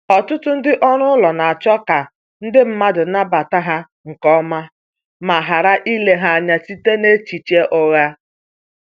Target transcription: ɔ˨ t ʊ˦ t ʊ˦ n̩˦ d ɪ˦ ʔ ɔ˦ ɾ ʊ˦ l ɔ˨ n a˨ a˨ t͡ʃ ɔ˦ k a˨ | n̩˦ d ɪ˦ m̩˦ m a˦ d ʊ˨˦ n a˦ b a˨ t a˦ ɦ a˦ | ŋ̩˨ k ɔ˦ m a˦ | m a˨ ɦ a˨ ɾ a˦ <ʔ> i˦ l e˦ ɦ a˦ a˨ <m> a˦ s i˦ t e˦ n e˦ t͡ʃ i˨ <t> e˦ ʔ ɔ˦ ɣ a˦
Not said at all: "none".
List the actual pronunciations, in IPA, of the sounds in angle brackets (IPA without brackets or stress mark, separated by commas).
ʔ, ɲ, t͡ʃ